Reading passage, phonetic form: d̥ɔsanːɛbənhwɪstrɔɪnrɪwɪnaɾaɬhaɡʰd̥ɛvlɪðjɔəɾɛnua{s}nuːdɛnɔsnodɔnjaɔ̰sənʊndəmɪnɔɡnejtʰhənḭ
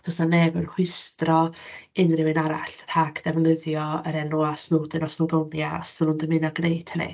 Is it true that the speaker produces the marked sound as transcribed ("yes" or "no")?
yes